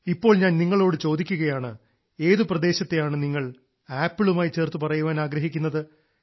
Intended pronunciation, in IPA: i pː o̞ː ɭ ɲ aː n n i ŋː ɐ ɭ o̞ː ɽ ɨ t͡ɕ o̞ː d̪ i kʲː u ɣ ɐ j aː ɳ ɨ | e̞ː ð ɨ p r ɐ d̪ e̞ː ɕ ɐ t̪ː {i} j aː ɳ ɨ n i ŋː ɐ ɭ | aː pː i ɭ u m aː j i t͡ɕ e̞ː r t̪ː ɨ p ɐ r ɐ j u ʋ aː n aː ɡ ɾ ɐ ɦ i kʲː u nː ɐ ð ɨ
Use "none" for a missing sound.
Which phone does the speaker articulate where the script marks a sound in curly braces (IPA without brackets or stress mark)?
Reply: e